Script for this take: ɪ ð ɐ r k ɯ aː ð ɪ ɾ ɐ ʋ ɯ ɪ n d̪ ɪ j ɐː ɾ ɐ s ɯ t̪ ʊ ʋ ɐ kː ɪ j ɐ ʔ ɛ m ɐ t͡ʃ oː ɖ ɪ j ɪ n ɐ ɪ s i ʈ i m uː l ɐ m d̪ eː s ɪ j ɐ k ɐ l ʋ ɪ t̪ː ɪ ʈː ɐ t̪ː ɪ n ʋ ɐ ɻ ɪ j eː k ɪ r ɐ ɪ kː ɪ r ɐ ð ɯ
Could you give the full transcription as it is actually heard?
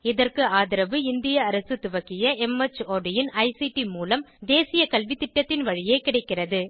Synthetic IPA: ɪ ð ɐ r k ɯ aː ð ɪ ɾ ɐ ʋ ɯ ɪ n d̪ ɪ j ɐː ɾ ɐ s ɯ t̪ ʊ ʋ ɐ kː ɪ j ɐ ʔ ɛ m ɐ t͡ʃ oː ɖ ɪ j ɪ n ɐ ɪ s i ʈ i m uː l ɐ m d̪ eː s ɪ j ɐ k ɐ l ʋ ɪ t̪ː ɪ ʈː ɐ t̪ː ɪ n ʋ ɐ ɻ ɪ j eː k ɪ ɽ ɐ ɪ kː ɪ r ɐ ð ɯ